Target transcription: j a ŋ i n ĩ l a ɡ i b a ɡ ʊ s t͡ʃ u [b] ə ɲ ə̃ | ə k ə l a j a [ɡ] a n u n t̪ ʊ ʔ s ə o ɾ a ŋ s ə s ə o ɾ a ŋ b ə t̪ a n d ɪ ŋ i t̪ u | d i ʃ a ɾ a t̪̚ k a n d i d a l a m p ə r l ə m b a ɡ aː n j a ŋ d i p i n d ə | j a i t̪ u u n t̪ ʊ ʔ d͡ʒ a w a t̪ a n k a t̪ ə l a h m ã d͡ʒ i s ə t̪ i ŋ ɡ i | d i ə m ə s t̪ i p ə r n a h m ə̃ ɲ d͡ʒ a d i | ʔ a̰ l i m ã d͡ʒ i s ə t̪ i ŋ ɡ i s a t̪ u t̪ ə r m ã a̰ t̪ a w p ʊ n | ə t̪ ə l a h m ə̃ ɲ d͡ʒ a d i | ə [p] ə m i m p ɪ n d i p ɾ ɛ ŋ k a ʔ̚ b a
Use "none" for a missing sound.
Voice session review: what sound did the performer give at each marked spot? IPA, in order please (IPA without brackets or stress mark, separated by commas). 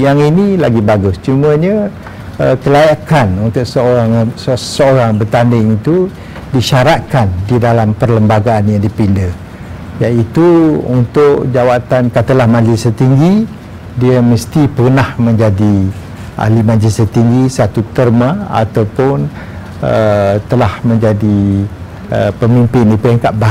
m, k, p